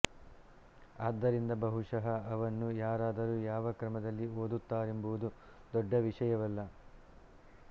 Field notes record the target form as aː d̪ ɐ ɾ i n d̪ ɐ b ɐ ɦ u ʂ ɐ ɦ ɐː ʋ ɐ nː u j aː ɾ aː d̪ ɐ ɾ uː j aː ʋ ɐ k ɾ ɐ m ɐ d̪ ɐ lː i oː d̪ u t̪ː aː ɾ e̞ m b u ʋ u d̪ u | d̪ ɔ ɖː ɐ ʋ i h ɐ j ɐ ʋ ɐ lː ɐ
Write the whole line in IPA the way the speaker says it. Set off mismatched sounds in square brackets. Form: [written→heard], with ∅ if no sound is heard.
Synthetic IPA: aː [d̪→d̪ː] ɐ ɾ i n d̪ ɐ b ɐ ɦ u ʂ ɐ ɦ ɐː ʋ ɐ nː u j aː ɾ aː d̪ ɐ ɾ uː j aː ʋ ɐ k ɾ ɐ m ɐ d̪ ɐ lː i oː d̪ u t̪ː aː ɾ e̞ m b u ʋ u d̪ u | d̪ ɔ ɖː ɐ ʋ i [h→ʂ] ɐ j ɐ ʋ ɐ lː ɐ